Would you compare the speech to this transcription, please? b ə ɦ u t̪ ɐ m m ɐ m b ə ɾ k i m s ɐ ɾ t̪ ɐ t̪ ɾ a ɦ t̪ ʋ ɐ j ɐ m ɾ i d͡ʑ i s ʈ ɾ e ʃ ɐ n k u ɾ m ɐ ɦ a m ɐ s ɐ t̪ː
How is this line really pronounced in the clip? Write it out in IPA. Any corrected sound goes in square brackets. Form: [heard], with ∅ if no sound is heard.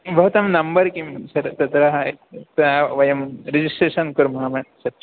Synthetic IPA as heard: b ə ɦ u t̪ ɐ m [n] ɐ m b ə ɾ k i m s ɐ ɾ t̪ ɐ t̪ ɾ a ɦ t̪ ʋ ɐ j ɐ m ɾ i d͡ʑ i s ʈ ɾ e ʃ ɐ n k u ɾ m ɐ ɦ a m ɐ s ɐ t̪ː